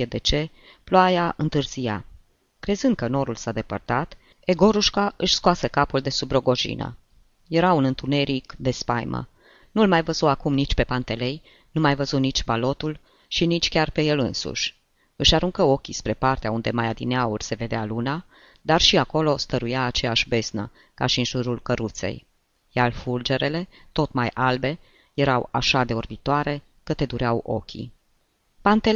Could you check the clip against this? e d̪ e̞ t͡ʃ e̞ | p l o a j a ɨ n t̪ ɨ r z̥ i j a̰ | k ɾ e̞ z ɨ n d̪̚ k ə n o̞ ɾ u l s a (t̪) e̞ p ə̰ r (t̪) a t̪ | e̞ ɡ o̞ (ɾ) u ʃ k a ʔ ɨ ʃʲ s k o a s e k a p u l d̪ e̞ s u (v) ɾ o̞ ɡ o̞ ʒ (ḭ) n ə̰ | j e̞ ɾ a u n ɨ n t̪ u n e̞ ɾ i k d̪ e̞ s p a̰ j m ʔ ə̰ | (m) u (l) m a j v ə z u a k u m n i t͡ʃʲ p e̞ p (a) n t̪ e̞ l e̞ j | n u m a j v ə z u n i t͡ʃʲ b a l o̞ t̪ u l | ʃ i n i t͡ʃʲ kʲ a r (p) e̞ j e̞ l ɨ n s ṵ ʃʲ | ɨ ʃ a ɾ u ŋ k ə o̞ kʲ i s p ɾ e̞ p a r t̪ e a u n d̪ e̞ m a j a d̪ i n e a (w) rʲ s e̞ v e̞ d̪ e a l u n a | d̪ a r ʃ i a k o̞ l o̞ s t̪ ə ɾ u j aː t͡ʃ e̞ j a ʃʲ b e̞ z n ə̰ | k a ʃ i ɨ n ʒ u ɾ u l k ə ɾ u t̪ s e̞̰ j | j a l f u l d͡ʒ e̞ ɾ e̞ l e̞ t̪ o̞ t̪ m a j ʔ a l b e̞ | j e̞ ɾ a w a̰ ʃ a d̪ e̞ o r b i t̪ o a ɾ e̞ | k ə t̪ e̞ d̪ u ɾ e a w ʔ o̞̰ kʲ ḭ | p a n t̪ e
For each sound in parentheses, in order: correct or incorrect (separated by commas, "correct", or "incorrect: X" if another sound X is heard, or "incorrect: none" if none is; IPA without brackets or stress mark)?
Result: incorrect: d̪, correct, correct, incorrect: b, correct, incorrect: n, correct, correct, correct, incorrect: u